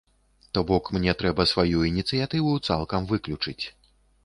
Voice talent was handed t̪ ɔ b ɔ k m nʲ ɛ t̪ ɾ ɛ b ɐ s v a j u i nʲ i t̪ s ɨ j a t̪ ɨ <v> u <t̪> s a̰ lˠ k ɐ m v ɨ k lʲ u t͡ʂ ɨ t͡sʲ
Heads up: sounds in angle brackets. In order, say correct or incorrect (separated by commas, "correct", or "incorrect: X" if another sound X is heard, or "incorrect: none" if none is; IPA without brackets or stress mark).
correct, correct